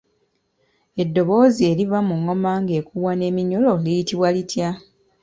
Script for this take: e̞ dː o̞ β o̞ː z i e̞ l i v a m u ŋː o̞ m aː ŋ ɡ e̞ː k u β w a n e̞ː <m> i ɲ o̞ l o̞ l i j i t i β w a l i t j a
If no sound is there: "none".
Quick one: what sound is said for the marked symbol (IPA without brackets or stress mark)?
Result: m